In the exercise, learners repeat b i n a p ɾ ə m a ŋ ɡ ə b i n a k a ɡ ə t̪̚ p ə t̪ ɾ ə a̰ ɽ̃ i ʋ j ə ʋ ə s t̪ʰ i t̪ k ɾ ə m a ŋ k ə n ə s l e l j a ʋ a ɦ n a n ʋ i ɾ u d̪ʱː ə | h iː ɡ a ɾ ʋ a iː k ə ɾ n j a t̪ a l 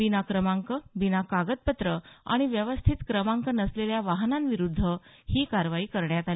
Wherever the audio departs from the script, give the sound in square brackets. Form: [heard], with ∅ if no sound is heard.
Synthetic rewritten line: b i n a [k] ɾ ə m a ŋ [k] ə b i n a k a ɡ ə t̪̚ p ə t̪ ɾ ə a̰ ɽ̃ i ʋ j ə ʋ ə s t̪ʰ i t̪ k ɾ ə m a ŋ k ə n ə s l e l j a ʋ a ɦ n a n ʋ i ɾ u d̪ʱː ə | h iː [k] a ɾ ʋ a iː k ə ɾ [ɳ] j a t̪ a l